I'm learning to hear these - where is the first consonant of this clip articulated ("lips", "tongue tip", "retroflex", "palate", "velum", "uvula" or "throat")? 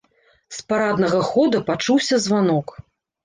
tongue tip